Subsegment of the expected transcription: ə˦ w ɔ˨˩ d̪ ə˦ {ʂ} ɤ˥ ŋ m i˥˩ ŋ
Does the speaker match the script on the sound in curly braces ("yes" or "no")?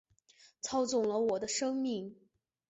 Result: yes